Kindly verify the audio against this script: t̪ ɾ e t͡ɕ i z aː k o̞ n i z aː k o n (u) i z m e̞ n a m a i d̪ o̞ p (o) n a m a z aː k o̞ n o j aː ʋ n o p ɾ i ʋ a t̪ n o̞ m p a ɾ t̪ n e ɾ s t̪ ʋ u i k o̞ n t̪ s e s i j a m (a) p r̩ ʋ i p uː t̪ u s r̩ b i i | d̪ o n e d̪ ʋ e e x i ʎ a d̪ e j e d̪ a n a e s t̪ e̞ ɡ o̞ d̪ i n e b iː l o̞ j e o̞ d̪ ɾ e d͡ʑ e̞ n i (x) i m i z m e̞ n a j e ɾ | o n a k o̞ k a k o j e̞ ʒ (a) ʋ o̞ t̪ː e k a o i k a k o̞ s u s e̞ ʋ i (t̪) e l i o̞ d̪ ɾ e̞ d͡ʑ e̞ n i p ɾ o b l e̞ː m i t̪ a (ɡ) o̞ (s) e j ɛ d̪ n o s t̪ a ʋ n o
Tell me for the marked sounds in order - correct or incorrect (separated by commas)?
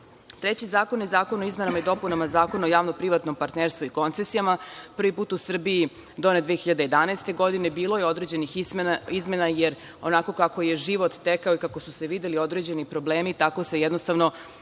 incorrect, incorrect, correct, correct, incorrect, incorrect, incorrect, correct